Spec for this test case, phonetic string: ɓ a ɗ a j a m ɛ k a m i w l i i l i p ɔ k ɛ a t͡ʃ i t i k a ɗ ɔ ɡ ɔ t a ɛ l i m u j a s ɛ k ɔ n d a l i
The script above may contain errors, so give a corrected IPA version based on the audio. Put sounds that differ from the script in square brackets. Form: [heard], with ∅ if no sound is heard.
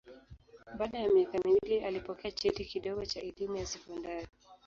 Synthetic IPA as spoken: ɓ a ɗ a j a m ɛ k a m i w l i [a] l i p ɔ k ɛ a t͡ʃ [ɛ] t i k [i] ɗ ɔ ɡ ɔ [t͡ʃ] a ɛ l i m u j a s ɛ k ɔ n d a [ɾ] i